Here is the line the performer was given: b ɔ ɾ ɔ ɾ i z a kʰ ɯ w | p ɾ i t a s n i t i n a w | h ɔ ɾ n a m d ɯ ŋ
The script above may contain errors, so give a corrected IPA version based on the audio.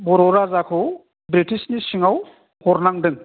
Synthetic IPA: b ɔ ɾ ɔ ɾ a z a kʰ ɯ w | b ɾ i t i s n i s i ŋ a w | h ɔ ɾ n a ŋ d ɯ ŋ